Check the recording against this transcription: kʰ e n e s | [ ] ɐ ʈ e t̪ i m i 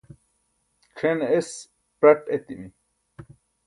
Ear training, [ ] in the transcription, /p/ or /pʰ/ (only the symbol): p